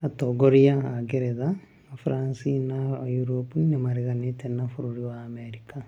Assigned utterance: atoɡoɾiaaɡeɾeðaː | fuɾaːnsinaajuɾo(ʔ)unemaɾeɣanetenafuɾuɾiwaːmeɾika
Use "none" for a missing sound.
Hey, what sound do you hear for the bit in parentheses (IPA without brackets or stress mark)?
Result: p